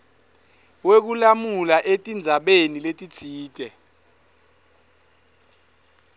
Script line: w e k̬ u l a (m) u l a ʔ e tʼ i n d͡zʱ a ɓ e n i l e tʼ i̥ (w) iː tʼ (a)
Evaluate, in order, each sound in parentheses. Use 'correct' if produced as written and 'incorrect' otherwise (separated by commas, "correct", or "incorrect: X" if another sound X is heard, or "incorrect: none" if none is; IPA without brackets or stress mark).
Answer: correct, incorrect: none, incorrect: ɛ